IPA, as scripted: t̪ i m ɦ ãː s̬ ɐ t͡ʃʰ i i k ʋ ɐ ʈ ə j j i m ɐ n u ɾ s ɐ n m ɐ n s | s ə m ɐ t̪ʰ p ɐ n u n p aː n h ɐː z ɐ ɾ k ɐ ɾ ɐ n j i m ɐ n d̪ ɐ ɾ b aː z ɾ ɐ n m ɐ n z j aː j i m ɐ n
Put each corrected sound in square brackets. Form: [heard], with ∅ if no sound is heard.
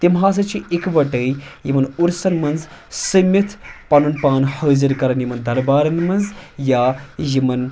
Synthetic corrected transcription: t̪ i m ɦ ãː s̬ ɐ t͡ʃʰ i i k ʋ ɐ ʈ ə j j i m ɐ n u ɾ s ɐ n m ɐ n [z] | s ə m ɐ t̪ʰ p ɐ n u n p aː n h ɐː z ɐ ɾ k ɐ ɾ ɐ n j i m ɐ n d̪ ɐ ɾ b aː [∅] ɾ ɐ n m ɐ n z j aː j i m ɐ n